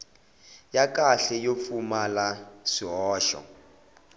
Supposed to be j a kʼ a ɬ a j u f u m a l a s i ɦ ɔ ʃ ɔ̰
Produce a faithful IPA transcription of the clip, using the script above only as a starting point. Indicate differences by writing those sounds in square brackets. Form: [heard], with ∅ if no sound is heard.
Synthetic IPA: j a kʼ a ɬ [ɛ] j [o] f u m a l a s i ɦ [ɔː] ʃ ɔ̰